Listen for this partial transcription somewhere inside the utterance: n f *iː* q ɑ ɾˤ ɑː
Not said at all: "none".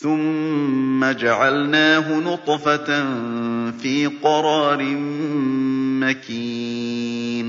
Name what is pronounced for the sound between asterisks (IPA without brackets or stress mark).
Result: iː